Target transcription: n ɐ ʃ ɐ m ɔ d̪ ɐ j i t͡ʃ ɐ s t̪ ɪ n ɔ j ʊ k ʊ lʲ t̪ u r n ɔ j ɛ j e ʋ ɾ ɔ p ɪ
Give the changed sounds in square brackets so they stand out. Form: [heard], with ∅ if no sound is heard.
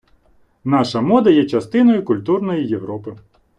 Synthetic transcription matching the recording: n [ɑ] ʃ ɐ m ɔ d̪ ɐ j [ɛ] t͡ʃ ɐ s t̪ ɪ n ɔ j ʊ k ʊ lʲ t̪ u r n ɔ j [i] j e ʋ ɾ ɔ p ɪ